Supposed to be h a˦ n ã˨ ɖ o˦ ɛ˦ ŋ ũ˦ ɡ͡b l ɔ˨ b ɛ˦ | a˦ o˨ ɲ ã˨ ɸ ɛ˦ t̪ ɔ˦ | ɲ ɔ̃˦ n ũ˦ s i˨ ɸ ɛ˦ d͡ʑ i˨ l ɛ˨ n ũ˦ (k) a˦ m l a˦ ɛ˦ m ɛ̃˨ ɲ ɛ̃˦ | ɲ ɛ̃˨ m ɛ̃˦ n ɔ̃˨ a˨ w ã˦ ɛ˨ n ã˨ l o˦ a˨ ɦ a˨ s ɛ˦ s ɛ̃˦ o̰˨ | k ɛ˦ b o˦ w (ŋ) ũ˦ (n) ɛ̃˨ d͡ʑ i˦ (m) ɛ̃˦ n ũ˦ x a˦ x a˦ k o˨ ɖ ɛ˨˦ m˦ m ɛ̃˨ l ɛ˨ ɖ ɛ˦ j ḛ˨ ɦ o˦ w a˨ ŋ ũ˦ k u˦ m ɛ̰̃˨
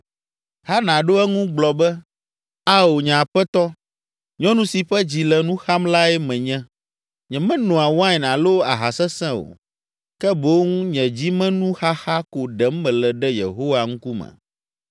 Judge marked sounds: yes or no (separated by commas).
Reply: no, yes, no, yes